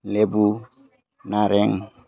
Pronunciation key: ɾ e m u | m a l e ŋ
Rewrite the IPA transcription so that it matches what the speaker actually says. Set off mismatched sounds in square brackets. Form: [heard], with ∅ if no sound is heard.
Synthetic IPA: [l] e [b] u | [n] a [ɾ] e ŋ